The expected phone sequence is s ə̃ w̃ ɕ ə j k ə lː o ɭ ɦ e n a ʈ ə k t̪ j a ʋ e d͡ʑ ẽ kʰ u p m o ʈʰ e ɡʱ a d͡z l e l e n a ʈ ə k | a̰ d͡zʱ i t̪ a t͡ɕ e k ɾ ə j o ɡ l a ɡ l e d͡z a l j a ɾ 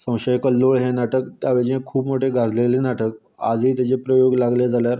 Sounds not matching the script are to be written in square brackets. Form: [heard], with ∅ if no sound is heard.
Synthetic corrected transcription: s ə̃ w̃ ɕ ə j k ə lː o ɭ ɦ e n a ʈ ə k t̪ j a ʋ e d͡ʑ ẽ kʰ [uː] p m o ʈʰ e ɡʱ a d͡z l e l e n a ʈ ə k | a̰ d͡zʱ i t̪ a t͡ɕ e [p] ɾ ə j o ɡ l a ɡ l e d͡z a l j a ɾ